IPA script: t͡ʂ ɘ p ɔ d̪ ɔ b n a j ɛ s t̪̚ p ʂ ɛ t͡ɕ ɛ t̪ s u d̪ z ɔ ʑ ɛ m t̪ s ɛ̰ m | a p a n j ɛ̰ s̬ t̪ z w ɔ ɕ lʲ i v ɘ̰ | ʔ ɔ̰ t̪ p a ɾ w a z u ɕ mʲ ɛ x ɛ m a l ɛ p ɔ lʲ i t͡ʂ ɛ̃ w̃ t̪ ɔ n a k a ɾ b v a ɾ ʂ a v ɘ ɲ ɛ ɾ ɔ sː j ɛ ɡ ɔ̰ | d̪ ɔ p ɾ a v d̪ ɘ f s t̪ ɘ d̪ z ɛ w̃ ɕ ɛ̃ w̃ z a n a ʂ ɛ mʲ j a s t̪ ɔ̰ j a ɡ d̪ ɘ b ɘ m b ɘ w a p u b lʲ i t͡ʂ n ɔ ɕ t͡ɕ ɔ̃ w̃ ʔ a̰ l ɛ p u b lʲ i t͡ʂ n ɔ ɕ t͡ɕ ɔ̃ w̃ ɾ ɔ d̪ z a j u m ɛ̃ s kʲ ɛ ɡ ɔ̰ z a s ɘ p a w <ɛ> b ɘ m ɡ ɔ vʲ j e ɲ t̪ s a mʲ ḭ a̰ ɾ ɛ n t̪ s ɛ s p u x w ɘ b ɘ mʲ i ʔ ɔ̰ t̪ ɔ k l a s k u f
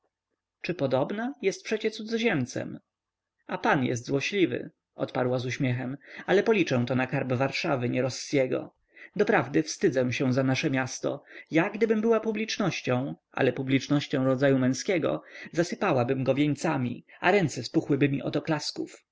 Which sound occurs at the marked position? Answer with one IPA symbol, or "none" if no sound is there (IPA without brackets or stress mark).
a